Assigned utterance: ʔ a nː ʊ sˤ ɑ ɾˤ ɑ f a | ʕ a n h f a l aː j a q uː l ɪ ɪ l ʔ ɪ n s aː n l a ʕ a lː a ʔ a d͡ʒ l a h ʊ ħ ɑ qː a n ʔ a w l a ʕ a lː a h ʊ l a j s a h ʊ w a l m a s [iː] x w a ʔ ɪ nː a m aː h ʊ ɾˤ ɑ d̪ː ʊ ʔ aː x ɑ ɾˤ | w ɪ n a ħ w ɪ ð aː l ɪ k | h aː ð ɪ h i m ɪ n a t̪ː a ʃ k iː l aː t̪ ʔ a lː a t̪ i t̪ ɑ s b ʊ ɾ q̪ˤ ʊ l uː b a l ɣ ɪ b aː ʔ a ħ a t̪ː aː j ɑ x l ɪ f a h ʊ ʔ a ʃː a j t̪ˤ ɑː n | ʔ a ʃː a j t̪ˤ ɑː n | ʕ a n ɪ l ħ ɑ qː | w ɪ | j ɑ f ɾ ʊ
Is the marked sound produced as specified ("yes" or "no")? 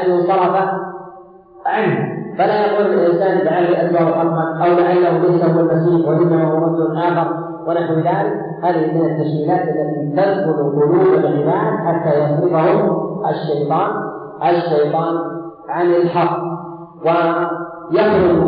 yes